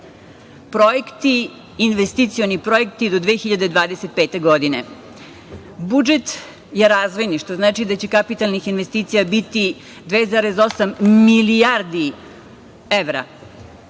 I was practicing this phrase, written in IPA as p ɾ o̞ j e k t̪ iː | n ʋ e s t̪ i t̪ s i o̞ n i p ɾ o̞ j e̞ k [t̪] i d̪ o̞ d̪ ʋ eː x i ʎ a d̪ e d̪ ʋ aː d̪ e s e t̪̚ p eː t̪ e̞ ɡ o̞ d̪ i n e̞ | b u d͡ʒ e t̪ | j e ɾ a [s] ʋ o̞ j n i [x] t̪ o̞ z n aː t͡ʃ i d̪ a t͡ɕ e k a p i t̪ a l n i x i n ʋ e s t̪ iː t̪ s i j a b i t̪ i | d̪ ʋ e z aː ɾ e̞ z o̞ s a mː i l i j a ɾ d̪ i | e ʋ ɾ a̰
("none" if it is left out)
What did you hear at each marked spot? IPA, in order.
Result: t̪, z, ʃ

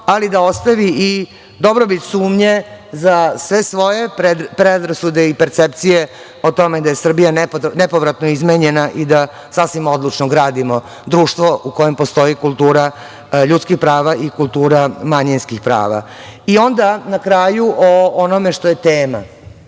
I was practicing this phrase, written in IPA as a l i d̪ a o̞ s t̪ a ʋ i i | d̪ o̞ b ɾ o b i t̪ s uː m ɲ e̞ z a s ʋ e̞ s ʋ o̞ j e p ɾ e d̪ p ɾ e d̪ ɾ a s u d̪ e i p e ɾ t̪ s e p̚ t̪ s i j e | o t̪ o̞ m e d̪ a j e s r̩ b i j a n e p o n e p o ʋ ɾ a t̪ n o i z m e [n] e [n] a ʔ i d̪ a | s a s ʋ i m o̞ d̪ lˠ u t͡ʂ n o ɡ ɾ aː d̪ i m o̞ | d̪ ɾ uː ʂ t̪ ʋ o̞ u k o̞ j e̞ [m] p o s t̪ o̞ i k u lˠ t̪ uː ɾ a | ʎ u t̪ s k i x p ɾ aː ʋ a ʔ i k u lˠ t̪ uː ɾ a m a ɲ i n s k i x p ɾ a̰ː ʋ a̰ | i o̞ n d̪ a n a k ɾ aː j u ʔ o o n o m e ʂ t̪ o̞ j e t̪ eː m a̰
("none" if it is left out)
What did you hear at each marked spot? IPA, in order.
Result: ɲ, n, m

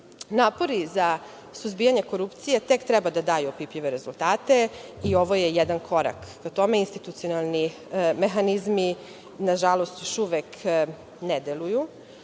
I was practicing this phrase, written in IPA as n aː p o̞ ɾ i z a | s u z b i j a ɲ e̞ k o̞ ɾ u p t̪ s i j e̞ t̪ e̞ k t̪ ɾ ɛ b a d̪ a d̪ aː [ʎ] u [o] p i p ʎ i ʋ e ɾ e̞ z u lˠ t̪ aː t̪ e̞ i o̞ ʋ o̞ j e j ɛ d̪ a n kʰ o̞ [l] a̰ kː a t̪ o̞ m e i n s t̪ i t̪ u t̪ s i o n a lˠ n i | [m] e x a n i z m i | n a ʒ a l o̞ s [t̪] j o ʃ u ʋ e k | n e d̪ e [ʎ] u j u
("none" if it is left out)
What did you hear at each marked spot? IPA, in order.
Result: j, o, ɾ, m, t̪, l

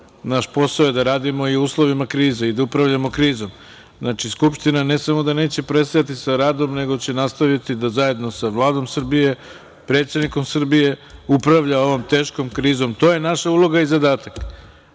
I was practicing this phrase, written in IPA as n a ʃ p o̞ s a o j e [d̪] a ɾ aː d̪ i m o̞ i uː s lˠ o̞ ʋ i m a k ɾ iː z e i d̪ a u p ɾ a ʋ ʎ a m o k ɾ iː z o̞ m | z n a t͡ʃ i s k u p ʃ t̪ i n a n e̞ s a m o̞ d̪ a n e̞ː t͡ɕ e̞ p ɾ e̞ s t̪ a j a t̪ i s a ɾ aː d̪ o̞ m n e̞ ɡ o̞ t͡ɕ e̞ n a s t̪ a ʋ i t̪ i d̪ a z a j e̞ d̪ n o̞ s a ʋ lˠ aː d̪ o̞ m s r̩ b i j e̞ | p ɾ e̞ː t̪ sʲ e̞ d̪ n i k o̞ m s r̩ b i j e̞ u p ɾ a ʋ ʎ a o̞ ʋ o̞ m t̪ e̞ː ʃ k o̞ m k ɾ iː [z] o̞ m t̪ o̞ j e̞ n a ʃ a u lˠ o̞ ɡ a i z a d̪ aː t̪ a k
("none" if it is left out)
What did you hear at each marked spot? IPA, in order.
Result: d̪, z

